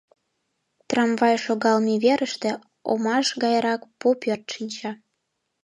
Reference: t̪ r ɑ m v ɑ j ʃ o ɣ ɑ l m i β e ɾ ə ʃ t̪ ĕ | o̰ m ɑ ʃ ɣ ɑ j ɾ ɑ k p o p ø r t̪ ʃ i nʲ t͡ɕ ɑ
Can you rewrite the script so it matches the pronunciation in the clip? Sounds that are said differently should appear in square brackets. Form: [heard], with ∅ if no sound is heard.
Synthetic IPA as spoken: t̪ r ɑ m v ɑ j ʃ o ɣ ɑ l m i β e ɾ ə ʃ t̪ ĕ | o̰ m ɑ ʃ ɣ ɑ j ɾ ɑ k p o p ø r t̪ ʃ i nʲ t͡ɕ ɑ